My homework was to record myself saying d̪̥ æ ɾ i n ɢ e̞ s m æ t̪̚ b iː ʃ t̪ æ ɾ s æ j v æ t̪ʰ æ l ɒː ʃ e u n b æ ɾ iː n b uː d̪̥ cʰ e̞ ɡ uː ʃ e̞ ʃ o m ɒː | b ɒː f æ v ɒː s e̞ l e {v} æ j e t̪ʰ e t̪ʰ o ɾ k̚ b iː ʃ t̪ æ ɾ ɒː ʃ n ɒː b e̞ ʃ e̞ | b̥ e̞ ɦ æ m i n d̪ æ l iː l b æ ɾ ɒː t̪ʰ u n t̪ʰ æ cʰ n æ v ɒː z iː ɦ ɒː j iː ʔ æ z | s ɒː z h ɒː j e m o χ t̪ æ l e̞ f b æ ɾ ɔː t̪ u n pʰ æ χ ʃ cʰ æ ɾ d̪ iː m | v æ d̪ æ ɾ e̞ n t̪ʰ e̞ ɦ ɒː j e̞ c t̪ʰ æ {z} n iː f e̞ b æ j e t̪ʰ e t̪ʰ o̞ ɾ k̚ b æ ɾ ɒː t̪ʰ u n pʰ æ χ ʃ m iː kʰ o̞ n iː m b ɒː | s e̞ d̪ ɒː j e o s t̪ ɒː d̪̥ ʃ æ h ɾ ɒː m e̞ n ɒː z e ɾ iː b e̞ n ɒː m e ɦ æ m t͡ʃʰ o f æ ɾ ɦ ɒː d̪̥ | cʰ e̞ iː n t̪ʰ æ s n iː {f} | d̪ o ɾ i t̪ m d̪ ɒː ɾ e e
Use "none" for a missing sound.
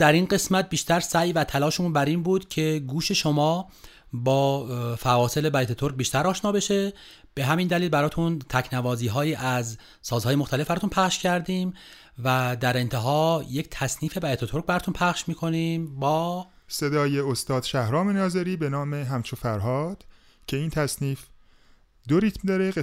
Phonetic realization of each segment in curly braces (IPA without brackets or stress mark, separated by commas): b, s, f